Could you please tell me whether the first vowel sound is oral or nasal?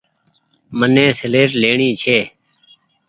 oral